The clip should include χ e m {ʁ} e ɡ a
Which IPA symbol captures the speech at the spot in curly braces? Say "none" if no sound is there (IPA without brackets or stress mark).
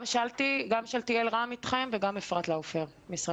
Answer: v